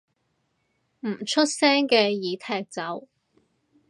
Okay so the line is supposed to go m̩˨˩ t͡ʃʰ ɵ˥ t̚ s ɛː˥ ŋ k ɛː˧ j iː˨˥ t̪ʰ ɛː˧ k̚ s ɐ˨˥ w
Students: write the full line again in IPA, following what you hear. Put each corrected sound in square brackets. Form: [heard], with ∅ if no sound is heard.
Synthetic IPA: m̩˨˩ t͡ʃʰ ɵ˥ t̚ s ɛː˥ ŋ k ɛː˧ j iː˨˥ t̪ʰ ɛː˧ k̚ [t͡s] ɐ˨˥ w